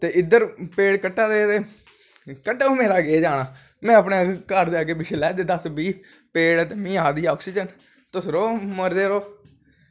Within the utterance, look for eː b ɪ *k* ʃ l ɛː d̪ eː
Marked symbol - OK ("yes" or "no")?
no